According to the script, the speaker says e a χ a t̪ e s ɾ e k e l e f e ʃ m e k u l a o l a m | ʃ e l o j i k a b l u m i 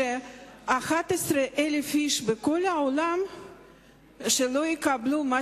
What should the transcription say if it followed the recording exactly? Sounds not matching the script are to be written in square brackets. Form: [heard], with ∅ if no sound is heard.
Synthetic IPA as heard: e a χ a t̪ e s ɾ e [ʔ] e l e f [i] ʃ [b] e k [o] l a o l a m | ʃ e l o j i k a b l u m [a]